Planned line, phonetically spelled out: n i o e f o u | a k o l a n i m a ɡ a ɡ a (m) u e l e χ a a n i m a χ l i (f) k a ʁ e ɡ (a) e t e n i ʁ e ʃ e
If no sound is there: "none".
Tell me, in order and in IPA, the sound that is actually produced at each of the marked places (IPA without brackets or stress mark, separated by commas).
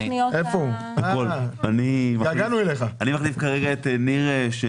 n, f, a